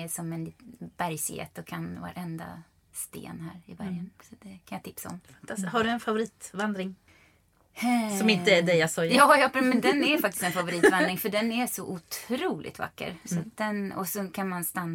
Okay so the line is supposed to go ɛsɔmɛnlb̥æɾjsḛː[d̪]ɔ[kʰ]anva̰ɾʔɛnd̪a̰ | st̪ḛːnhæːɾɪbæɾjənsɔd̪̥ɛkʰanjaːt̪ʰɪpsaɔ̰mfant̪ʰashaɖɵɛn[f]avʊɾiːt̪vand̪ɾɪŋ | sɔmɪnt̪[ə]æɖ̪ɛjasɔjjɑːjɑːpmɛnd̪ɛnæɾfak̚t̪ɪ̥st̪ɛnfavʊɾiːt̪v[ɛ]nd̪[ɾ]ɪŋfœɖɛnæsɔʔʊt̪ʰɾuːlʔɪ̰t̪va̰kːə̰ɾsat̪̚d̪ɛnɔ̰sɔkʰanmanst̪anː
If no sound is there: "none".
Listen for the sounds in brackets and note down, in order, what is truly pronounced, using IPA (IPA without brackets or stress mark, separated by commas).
t̪, kʰ, f, ə, a, ɾ